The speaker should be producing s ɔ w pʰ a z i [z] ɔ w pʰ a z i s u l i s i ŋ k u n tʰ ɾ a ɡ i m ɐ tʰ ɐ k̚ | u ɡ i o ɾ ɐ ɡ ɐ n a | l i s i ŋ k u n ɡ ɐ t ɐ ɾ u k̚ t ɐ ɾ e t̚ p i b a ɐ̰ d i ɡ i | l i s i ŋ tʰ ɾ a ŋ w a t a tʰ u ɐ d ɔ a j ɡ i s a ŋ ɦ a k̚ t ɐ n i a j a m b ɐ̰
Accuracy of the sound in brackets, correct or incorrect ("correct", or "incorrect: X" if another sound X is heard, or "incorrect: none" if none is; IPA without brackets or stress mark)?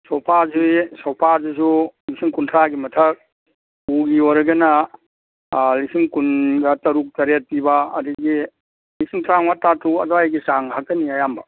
incorrect: s